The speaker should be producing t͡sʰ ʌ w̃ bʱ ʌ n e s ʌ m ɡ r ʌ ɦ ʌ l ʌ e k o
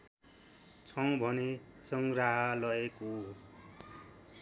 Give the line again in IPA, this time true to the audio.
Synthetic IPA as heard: t͡sʰ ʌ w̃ bʱ ʌ n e s ʌ ŋ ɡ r a ɦ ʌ l ʌ e k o